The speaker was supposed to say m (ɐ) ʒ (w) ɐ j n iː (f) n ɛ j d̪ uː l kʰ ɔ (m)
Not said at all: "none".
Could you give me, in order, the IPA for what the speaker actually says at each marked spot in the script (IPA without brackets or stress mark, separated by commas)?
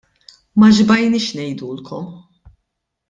ɐ, b, ʃ, m